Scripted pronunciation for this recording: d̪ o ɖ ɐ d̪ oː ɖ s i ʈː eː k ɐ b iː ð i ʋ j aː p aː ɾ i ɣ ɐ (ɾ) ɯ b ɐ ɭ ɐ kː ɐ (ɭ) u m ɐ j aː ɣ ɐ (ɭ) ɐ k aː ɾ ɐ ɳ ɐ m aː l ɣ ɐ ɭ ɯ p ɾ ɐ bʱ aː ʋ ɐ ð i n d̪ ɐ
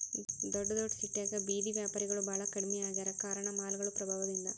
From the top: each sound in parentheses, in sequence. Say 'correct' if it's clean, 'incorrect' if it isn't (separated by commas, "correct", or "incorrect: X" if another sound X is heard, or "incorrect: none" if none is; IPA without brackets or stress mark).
incorrect: ɭ, incorrect: ɽ, incorrect: ɾ